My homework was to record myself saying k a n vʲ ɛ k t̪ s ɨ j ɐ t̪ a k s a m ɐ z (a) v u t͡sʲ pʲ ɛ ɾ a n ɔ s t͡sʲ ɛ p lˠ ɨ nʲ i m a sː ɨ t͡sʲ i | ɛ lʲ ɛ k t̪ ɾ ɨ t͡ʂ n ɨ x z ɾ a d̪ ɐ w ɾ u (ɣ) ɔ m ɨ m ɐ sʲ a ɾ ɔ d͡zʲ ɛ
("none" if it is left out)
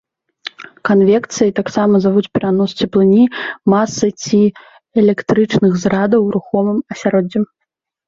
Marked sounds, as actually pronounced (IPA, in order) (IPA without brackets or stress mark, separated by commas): a, x